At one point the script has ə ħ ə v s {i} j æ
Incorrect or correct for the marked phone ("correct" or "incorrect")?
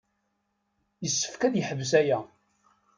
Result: incorrect